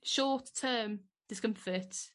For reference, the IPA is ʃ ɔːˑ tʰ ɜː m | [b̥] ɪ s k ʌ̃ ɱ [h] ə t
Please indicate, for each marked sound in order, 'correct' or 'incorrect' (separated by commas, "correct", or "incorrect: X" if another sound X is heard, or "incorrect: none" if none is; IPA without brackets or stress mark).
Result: incorrect: d̥, incorrect: f